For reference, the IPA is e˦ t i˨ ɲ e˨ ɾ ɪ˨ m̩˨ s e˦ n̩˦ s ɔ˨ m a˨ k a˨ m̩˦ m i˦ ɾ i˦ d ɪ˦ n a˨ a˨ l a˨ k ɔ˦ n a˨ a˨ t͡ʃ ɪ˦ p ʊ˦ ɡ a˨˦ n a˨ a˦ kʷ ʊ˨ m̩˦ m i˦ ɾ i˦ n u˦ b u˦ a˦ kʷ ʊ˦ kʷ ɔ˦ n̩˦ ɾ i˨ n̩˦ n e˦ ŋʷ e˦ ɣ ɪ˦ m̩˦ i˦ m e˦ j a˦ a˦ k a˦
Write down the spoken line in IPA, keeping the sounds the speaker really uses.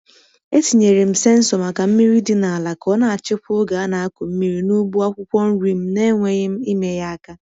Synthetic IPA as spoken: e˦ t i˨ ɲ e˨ ɾ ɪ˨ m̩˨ s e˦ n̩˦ s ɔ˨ m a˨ k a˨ m̩˦ m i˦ ɾ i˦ d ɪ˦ n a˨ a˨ l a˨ k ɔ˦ n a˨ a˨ t͡ʃ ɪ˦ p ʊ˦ ɡ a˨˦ n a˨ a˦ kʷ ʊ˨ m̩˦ m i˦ ɾ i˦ n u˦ b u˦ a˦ kʷ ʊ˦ kʷ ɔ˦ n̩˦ ɾ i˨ m̩˦ n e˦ ŋʷ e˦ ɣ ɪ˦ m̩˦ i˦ m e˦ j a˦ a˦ k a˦